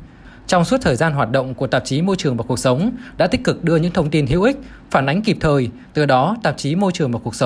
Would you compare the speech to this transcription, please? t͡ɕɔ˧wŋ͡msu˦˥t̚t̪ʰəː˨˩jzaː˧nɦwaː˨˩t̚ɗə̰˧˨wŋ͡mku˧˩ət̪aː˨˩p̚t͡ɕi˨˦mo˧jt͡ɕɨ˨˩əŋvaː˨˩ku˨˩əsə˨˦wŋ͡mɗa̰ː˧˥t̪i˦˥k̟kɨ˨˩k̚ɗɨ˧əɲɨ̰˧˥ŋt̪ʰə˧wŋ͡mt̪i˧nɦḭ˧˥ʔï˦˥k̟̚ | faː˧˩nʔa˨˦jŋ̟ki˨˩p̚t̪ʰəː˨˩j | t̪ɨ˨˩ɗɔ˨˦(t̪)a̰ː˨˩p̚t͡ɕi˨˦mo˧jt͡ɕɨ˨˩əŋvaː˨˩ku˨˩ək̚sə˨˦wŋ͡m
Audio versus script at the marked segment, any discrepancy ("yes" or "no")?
no